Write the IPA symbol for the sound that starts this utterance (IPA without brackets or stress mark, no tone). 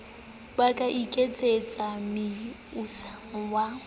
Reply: b